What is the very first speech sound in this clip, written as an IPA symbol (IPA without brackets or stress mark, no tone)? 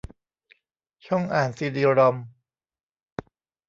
t͡ɕʰ